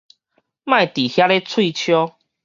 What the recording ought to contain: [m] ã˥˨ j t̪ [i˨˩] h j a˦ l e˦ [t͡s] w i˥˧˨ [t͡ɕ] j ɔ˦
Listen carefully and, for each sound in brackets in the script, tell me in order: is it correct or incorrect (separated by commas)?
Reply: correct, correct, incorrect, incorrect